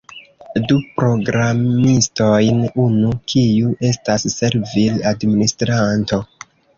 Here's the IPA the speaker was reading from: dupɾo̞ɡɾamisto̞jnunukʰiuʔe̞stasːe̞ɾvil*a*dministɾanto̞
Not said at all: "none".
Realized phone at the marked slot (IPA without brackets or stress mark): a